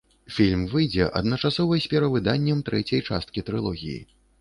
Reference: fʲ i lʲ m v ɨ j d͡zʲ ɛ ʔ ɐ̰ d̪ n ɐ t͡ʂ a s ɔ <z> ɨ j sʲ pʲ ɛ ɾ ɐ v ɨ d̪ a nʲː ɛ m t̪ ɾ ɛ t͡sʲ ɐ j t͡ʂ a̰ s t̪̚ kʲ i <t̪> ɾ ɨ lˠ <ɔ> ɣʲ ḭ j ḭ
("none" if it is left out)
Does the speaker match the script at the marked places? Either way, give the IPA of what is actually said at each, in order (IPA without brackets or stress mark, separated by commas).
v, t̪, ɔ